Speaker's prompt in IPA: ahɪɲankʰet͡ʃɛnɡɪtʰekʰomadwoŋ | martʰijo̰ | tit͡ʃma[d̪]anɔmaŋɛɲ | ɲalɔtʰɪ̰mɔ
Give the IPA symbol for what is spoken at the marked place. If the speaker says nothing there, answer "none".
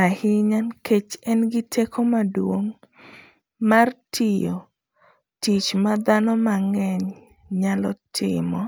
d̪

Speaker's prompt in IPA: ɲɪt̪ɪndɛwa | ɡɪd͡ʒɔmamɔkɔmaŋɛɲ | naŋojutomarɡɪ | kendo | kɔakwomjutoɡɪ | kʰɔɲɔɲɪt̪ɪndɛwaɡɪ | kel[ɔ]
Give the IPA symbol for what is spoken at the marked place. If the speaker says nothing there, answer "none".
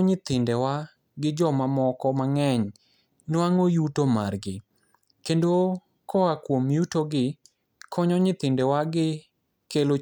o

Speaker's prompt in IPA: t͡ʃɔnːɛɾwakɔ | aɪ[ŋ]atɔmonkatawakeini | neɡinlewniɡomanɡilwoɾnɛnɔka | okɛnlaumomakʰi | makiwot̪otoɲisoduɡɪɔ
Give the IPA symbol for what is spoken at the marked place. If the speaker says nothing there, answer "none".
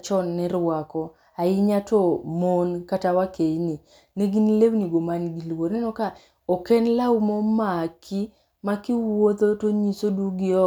ɲ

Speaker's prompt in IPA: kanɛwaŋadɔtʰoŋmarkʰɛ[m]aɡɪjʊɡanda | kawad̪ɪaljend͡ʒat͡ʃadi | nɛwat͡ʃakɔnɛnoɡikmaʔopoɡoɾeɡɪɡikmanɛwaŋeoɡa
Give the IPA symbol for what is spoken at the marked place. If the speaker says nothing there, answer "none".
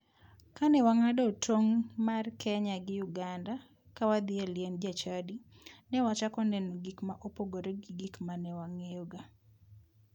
ɲ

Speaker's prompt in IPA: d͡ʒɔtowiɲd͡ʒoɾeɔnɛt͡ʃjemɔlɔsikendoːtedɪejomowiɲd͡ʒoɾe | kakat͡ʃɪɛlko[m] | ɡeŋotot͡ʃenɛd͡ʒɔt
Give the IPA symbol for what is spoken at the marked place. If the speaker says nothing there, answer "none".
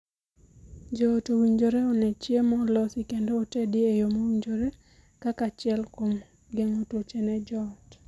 m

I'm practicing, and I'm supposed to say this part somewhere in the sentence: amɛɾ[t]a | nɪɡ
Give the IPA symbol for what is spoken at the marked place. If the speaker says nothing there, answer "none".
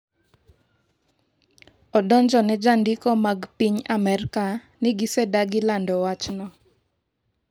k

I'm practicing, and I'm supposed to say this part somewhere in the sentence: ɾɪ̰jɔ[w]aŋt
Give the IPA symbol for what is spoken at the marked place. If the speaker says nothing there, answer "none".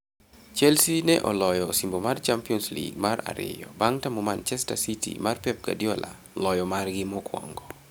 b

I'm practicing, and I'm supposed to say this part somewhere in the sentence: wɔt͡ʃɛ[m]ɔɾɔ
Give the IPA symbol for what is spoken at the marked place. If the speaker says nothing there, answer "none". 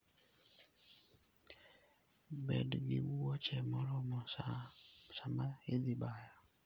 m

